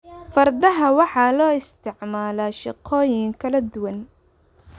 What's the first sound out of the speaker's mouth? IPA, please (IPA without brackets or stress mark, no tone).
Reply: f